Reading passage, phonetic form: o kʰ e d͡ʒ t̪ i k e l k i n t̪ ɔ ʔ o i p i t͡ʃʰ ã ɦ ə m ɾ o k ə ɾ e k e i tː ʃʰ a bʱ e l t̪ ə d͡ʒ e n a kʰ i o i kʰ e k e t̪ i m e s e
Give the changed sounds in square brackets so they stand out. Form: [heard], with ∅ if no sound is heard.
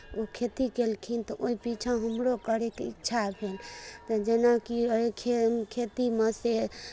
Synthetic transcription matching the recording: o kʰ e [∅] t̪ i k e l [kʰ] i n t̪ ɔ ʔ o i p i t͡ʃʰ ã ɦ ə m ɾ o k ə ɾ e k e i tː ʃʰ a bʱ e l t̪ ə d͡ʒ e n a [k] i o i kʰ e [kʰ] e t̪ i m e s e